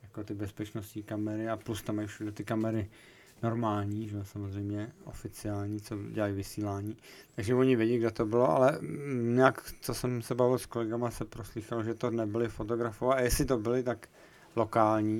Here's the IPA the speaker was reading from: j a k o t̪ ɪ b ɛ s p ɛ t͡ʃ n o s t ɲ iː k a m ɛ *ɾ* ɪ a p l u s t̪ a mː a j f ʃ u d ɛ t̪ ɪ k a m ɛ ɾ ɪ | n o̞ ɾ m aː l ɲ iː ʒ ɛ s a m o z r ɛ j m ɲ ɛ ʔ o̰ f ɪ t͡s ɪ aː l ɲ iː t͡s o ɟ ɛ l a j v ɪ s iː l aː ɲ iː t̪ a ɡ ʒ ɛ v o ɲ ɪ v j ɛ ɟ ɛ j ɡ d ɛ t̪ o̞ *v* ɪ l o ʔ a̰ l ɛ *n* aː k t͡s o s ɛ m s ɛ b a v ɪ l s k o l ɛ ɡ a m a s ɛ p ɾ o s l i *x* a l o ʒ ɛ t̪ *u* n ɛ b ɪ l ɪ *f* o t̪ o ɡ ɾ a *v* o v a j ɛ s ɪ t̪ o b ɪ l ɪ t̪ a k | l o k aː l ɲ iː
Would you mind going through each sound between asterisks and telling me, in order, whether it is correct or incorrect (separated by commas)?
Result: correct, incorrect, incorrect, correct, incorrect, correct, incorrect